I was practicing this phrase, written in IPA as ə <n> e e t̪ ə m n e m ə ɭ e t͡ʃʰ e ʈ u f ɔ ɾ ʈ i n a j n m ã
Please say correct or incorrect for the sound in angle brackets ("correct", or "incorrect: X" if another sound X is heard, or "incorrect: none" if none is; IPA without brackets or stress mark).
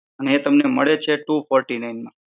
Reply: correct